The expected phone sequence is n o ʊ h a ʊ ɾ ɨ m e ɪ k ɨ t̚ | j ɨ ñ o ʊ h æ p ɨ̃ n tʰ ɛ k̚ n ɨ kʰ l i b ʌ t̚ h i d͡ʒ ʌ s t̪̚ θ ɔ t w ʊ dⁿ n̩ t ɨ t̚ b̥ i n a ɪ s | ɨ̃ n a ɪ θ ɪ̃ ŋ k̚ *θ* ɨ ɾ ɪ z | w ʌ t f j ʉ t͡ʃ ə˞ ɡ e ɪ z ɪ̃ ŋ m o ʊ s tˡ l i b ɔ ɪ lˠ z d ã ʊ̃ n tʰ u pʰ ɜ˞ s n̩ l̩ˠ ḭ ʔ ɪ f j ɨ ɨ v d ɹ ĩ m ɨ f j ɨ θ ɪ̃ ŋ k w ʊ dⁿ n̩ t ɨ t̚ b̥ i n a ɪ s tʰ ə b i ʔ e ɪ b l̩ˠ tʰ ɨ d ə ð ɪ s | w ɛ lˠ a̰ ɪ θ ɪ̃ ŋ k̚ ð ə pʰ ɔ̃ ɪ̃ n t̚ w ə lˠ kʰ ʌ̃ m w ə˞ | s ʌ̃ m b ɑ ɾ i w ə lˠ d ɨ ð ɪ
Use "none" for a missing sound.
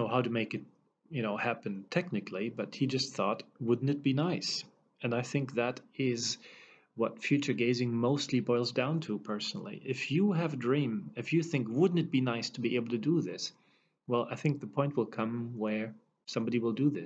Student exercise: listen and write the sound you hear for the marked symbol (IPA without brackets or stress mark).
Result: ð